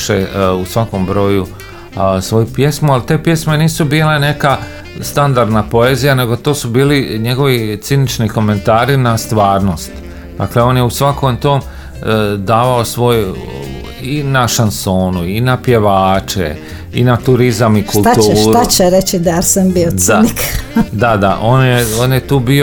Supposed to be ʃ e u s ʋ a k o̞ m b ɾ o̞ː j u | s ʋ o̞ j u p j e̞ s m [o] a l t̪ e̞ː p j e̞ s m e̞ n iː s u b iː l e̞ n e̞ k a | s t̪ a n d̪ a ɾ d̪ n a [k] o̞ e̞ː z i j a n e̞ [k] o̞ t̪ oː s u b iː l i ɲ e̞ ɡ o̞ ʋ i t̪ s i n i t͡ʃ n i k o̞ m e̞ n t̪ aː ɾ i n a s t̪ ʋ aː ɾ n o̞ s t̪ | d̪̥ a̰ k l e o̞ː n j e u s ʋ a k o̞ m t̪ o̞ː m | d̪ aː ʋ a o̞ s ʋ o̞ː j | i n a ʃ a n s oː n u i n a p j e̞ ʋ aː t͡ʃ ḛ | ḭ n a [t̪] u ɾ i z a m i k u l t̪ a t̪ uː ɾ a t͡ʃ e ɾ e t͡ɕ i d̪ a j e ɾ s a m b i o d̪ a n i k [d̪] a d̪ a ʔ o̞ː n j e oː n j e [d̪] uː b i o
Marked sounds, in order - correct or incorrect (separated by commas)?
incorrect, incorrect, incorrect, correct, correct, incorrect